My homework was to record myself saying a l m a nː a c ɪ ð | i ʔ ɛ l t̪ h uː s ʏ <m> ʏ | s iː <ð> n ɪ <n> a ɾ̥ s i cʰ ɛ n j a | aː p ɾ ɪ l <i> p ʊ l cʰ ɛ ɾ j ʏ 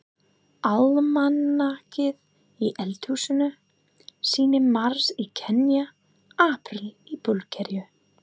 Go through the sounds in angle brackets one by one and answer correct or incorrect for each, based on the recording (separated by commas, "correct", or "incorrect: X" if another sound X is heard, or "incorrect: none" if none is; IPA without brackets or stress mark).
incorrect: n, incorrect: none, incorrect: m, correct